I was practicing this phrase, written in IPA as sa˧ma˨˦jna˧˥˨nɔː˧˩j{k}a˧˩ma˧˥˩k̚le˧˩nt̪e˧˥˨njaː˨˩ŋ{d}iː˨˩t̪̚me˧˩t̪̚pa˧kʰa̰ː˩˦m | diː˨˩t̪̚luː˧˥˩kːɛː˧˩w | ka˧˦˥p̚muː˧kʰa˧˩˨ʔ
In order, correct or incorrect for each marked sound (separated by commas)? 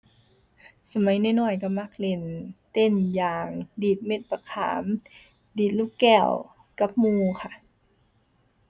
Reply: correct, correct